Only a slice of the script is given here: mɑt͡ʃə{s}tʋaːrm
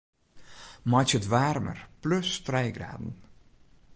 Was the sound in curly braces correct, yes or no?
no